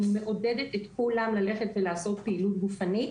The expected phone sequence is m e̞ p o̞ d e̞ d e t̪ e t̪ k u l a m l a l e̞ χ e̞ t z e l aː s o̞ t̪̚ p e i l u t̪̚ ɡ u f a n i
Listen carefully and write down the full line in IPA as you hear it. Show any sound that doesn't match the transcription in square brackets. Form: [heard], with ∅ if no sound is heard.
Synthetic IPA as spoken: m e̞ [ʔ] o̞ d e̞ d e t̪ e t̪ k u l a m l a l e̞ χ e̞ t [v] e l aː s o̞ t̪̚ p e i l u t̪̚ ɡ u f a n i